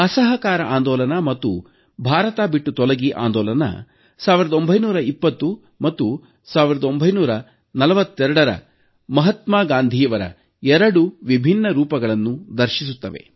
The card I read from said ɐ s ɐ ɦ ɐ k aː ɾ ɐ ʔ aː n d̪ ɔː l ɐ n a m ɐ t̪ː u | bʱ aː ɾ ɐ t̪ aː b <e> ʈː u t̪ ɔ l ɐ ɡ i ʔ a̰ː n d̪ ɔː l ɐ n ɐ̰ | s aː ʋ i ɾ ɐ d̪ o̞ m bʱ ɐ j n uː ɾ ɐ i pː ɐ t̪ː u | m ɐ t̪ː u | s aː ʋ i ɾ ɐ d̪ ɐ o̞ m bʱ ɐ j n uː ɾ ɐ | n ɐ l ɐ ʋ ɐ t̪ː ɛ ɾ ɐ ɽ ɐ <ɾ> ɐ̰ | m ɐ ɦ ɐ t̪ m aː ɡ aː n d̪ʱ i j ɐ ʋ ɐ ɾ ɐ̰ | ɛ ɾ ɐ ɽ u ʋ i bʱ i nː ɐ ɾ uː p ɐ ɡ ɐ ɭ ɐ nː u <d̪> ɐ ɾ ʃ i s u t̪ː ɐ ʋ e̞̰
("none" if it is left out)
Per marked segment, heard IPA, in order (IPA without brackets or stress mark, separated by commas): i, ɾ, d̪